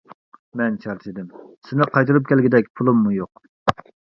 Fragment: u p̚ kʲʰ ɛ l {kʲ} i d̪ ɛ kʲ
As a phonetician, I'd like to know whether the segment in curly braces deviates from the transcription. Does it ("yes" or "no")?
yes